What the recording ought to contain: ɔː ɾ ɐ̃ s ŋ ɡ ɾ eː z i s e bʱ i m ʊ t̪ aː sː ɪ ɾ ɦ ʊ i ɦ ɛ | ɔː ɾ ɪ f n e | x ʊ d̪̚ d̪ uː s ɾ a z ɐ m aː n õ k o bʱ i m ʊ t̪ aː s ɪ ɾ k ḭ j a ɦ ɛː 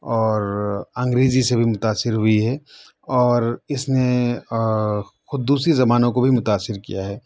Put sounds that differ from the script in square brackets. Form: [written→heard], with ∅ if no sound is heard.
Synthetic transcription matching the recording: ɔː ɾ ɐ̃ [s→∅] ŋ ɡ ɾ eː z i s e bʱ i m ʊ t̪ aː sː ɪ ɾ ɦ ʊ i ɦ ɛ | ɔː ɾ ɪ [f→s] n e | x ʊ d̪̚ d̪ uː s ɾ [a→i] z ɐ m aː n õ k o bʱ i m ʊ t̪ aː s ɪ ɾ k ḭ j a ɦ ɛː